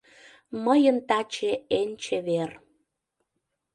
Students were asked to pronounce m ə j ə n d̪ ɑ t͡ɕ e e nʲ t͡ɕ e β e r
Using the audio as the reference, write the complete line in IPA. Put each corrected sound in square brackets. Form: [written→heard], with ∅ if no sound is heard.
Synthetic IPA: m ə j ə n [d̪→t̪] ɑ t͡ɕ e e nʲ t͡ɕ e β e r